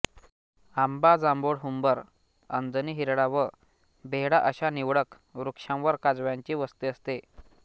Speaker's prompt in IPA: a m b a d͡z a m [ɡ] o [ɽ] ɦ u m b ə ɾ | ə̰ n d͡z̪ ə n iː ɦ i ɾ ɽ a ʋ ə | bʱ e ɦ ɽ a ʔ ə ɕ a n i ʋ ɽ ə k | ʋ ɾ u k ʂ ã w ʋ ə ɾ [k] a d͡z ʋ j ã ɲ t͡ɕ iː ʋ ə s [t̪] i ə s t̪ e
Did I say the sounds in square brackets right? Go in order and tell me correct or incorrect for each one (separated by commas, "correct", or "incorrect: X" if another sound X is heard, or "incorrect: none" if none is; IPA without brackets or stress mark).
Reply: incorrect: b, correct, correct, correct